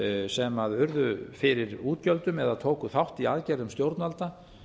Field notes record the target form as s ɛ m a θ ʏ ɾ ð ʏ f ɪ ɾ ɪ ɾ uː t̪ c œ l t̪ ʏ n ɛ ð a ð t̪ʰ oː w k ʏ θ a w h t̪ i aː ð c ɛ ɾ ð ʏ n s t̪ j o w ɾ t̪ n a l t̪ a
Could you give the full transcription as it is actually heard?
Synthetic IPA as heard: s ɛ m a ð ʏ ɾ ð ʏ f ɪ ɾ ɪ ɾ uː t̪ c œ l t̪ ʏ m ɛ ð a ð t̪ʰ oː w k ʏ θ a w h t̪ i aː ð c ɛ ɾ ð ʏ m s t̪ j o w ɾ t̪ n a l t̪ a

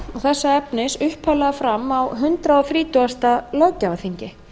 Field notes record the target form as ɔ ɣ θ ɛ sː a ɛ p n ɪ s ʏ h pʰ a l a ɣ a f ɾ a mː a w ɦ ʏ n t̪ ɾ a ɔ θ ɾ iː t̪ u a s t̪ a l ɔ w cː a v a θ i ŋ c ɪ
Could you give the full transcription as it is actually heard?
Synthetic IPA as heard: ɔ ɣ θ ɛ sː a ɛ p n ɪ s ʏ h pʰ a l a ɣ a f ɾ a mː a w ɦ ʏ n t̪ ɾ a ɔ θ ɾ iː t̪ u a s t̪ a l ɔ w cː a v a θ i ɲ c ɪ

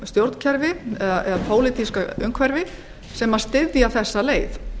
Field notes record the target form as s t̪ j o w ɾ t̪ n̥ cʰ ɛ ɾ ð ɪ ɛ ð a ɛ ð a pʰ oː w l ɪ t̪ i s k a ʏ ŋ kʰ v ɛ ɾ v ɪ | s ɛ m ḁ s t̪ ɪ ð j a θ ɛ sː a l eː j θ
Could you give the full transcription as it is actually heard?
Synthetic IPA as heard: s t̪ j o w ɾ t̪ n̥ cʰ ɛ ɾ v ɪ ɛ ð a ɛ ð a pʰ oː w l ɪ t̪ i s k a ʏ ŋ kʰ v ɛ ɾ v ɪ | s ɛ m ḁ s t̪ ɪ ð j a θ ɛ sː a l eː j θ

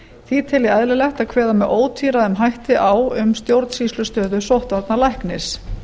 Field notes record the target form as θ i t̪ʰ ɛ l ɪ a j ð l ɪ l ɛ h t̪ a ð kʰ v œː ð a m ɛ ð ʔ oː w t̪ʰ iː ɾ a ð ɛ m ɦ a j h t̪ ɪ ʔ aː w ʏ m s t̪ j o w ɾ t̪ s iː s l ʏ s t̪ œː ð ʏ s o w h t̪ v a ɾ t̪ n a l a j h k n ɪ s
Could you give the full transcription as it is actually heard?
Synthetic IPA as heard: θ i t̪ʰ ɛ l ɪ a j ð l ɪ l ɛ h t̪ a ð kʰ v ɛː ð a m ɛ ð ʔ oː w t̪ʰ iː ɾ a ð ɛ m ɦ a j h t̪ ɪ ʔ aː w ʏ m s t̪ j o w ɾ t̪ s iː s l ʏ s t̪ œː ð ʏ s o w h t̪ v a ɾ t̪ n a l a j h k n ɪ s

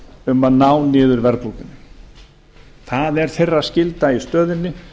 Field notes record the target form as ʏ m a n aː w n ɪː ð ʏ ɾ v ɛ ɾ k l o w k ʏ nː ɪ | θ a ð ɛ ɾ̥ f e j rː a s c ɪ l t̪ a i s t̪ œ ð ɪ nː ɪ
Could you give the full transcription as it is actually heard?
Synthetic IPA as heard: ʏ m a n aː w n ɪː ð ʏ ɾ v ɛ ɾ p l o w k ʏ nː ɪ | θ a ð ɛ ɾ̥ θ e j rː a s c ɪ l t̪ a i s t̪ œː ð ɪ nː ɪ

